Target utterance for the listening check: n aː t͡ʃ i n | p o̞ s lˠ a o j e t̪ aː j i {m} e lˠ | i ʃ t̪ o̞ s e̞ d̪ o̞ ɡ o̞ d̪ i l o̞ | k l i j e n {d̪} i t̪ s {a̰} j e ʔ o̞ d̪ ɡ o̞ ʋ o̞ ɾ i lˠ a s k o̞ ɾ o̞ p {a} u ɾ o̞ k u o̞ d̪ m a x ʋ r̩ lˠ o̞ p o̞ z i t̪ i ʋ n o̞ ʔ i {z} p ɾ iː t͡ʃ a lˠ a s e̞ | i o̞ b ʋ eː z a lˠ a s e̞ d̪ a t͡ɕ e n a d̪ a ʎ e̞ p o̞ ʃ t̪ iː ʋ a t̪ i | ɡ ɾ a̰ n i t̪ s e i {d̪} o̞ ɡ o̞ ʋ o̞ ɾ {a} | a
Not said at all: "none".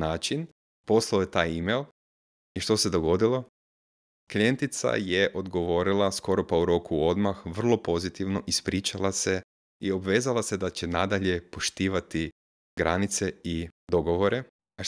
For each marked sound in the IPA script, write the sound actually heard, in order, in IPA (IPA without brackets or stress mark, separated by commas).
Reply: m, t̪, a̰, a, s, d̪, e